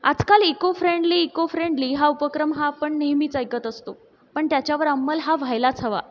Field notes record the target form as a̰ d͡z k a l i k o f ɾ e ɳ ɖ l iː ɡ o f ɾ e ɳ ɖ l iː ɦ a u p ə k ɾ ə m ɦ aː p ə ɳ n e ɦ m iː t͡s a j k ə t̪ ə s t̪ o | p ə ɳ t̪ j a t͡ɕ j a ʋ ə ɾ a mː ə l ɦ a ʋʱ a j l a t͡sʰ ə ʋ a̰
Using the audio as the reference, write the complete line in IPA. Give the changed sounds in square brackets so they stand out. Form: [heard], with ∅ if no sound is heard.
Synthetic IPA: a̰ d͡z k a l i k o f ɾ e ɳ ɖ l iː [k] o f ɾ e ɳ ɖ l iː ɦ a u p ə k ɾ ə m ɦ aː p ə ɳ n e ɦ m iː t͡s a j k ə t̪ ə s t̪ o | p ə ɳ t̪ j a t͡ɕ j a ʋ ə ɾ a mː ə l ɦ a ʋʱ a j l a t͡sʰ ə ʋ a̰